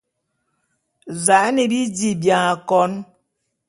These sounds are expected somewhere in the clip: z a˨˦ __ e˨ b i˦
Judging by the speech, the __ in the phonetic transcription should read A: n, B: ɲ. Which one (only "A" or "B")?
A